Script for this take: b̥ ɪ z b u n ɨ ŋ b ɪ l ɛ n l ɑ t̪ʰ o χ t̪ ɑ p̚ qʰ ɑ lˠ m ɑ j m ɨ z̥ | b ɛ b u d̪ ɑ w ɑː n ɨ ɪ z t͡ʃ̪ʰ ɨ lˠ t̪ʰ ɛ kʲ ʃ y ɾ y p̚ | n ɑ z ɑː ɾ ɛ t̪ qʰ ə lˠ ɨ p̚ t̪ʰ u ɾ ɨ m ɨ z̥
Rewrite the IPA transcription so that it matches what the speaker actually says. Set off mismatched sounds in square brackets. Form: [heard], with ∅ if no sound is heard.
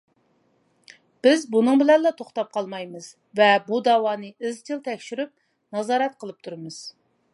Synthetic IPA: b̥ ɪ z b u n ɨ ŋ b ɪ l ɛ n l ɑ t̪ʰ o χ t̪ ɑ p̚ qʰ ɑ lˠ m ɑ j m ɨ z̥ | [v] ɛ b u d̪ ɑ w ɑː n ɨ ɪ z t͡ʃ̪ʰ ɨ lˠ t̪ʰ ɛ kʲ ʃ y ɾ y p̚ | n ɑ z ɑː ɾ ɛ t̪ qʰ ə lˠ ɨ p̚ t̪ʰ u ɾ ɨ m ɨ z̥